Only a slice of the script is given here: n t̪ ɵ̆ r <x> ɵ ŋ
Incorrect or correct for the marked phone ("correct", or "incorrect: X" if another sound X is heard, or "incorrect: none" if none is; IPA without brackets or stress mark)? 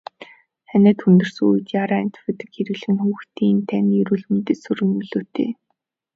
incorrect: s